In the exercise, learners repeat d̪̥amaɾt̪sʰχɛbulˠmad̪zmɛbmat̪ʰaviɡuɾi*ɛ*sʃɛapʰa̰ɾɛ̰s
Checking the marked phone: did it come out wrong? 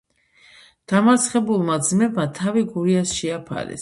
yes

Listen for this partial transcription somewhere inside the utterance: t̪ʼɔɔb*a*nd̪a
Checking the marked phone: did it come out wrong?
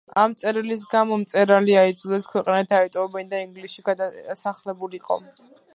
yes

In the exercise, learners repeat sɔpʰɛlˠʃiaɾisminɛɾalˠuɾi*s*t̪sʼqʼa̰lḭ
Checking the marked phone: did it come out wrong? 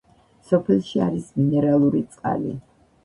yes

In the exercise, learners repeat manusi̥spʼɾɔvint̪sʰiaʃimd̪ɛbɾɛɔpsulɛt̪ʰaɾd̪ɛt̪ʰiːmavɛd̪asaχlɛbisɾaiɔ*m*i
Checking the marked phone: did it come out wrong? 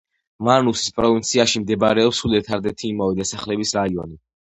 yes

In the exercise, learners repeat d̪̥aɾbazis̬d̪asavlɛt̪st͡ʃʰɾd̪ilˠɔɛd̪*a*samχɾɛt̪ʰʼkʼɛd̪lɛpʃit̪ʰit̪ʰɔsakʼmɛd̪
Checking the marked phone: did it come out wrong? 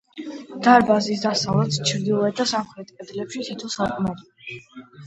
no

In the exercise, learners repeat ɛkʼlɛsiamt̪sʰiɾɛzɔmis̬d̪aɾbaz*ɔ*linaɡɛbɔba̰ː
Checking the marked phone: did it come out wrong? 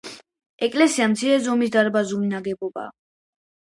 yes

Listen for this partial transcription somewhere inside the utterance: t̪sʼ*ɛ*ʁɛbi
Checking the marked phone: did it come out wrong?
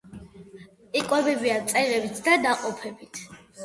no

